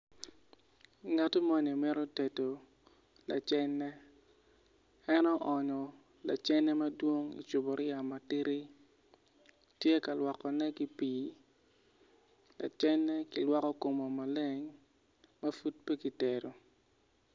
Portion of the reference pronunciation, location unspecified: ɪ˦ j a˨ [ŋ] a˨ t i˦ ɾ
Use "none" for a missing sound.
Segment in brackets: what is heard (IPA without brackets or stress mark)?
m